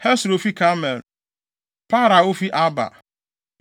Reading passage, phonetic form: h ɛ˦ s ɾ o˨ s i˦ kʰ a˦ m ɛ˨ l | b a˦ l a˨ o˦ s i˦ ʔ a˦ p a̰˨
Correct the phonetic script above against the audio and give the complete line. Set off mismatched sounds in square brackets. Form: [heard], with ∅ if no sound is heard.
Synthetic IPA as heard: h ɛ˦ s ɾ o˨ [f] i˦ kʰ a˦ m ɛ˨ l | [p] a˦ [ɾ] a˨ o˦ [f] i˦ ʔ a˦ [b] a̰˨